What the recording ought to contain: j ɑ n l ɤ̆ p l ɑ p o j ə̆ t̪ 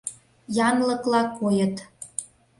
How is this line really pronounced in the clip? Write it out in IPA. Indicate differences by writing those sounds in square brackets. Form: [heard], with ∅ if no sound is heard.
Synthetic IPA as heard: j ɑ n l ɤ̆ [k] l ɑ [k] o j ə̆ t̪